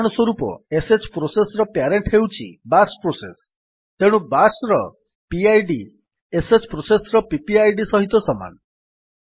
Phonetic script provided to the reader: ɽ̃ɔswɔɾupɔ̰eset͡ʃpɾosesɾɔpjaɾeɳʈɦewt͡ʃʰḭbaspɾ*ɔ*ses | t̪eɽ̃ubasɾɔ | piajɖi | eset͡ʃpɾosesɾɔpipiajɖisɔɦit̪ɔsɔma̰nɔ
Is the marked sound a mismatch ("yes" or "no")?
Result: yes